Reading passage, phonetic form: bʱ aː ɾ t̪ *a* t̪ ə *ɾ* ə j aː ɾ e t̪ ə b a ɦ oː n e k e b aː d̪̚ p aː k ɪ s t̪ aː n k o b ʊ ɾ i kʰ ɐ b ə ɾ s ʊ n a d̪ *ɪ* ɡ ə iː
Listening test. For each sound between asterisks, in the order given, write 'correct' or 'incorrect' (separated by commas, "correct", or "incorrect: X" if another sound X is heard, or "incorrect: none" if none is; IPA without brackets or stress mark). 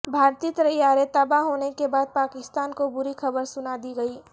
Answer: incorrect: i, correct, incorrect: i